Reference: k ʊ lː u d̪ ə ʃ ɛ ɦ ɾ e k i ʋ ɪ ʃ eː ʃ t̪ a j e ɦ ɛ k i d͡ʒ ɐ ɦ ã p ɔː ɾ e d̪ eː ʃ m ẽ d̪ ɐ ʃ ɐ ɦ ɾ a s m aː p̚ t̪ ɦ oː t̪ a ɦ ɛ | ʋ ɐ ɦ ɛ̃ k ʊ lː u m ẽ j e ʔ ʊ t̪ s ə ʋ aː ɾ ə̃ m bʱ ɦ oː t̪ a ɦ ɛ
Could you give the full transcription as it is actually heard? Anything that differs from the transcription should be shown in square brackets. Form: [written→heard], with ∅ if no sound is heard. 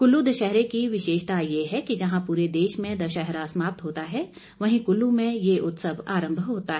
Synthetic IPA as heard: k ʊ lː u d̪ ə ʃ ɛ ɦ ɾ e k i ʋ ɪ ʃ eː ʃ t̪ a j e ɦ ɛ k i d͡ʒ ɐ ɦ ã p [ɔː→uː] ɾ e d̪ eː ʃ m ẽ d̪ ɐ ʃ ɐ ɦ ɾ a s m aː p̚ t̪ ɦ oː t̪ a ɦ ɛ | ʋ ɐ ɦ [ɛ̃→ĩ] k ʊ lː u m ẽ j e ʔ ʊ t̪ s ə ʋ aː ɾ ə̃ m bʱ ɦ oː t̪ a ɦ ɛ